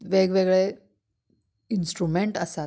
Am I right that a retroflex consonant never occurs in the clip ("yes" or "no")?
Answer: no